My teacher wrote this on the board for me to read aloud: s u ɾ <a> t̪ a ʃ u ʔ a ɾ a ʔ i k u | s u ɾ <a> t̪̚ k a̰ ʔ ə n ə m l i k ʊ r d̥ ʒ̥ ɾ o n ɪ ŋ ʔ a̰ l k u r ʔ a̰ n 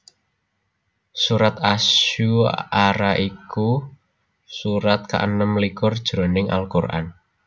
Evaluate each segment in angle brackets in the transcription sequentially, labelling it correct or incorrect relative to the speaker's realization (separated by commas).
correct, correct